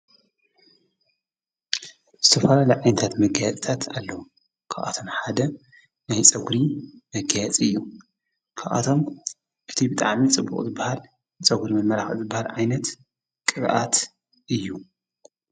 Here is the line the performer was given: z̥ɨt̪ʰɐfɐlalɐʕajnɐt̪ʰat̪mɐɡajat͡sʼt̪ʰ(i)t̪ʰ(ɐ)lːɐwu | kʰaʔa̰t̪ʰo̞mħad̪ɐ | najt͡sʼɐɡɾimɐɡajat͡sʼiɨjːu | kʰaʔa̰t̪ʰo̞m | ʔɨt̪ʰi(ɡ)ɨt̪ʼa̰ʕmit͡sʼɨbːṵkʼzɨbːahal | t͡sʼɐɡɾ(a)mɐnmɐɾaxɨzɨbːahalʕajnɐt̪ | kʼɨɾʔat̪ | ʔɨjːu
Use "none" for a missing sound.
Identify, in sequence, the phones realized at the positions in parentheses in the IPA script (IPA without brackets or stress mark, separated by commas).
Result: a, a, b, i